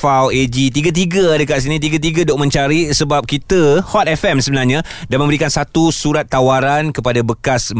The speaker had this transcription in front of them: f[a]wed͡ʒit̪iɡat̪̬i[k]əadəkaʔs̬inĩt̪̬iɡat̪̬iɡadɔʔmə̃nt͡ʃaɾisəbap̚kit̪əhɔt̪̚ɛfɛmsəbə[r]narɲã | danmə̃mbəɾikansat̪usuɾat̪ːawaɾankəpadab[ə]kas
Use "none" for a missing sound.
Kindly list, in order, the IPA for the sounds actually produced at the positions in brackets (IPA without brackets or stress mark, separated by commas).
a, ɡ, none, ə